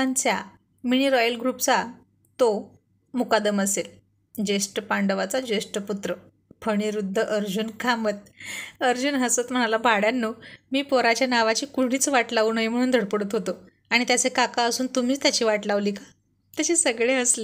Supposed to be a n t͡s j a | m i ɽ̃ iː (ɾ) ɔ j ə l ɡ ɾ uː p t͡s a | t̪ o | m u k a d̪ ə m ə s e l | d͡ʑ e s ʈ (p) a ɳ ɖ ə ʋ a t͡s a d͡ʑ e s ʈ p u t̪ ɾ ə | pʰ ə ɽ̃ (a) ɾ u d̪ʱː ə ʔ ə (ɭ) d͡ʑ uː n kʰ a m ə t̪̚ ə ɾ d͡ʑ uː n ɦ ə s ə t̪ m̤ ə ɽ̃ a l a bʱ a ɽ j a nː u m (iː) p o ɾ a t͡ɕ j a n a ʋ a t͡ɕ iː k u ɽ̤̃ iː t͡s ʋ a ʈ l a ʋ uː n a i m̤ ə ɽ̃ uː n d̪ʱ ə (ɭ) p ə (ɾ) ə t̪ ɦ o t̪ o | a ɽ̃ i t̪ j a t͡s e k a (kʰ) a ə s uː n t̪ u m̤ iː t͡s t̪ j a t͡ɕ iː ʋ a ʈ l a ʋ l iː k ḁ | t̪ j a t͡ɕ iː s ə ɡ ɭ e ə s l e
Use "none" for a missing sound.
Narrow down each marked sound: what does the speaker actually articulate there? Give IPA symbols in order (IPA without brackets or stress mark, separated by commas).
ɾ, p, i, ɾ, iː, ɽ, ɽ, k